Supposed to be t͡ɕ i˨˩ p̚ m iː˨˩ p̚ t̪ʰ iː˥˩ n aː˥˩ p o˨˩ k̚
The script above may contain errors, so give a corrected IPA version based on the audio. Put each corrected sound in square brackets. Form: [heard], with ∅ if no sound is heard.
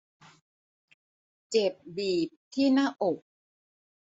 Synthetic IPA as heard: t͡ɕ [e˨˩] p̚ [b] iː˨˩ p̚ t̪ʰ iː˥˩ n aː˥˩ [ʔ] o˨˩ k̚